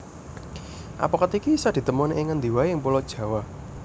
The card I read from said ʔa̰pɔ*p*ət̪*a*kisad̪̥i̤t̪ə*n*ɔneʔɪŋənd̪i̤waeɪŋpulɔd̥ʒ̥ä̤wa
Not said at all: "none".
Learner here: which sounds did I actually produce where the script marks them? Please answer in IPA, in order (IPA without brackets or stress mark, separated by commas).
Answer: k, i, m